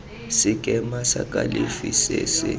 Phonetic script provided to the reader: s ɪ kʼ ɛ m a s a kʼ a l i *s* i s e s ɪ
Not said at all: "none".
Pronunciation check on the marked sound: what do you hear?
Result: f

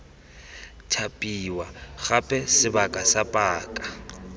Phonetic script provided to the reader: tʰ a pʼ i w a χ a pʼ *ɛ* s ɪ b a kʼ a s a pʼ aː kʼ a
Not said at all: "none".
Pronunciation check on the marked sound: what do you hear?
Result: ɛ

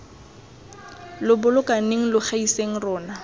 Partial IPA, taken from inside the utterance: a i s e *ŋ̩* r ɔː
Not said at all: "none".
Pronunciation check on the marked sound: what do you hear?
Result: ŋ̩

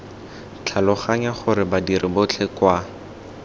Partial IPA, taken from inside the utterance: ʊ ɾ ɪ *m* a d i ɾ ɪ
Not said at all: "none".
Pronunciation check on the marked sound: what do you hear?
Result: b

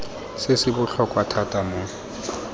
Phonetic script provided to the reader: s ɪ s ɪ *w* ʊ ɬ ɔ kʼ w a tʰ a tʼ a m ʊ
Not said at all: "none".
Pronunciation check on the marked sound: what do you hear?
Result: b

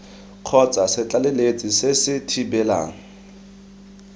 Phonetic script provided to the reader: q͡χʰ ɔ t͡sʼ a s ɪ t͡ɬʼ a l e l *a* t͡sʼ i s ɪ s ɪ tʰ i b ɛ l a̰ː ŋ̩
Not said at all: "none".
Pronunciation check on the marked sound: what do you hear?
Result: e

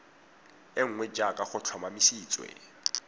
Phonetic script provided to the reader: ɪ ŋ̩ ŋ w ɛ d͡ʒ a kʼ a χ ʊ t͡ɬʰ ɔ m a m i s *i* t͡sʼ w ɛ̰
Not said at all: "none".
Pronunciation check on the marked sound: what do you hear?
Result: iː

